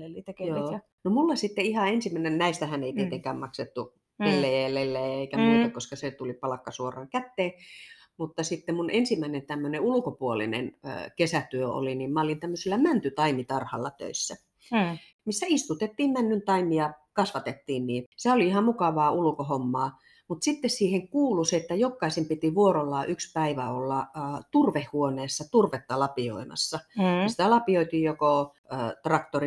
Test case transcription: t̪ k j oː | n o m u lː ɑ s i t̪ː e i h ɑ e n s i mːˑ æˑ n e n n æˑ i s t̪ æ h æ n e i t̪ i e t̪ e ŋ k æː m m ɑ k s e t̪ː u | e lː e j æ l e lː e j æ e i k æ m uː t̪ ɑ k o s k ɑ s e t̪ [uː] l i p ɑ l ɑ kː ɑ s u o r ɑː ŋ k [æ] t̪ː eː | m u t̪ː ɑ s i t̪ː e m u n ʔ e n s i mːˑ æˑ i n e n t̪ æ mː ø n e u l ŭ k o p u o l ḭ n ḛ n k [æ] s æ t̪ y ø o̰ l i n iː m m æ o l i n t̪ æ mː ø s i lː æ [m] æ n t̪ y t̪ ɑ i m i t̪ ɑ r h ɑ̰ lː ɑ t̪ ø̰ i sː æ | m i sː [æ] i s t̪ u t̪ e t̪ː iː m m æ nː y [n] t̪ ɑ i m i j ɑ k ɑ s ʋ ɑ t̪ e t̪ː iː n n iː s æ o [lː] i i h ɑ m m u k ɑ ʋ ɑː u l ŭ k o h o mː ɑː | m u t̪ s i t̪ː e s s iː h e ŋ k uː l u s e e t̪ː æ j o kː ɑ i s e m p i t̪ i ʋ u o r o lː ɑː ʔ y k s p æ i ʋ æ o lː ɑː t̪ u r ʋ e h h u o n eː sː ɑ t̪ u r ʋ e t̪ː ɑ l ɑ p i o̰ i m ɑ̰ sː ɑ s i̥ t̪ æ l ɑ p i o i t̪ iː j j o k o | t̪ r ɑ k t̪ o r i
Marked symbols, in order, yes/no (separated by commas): no, yes, no, yes, yes, yes, no